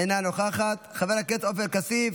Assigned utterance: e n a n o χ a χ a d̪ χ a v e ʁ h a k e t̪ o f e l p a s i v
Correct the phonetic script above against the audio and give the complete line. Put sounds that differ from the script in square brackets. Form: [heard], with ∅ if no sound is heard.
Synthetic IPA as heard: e n a n o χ a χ a [t̪] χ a v e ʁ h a k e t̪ o f e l [k] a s i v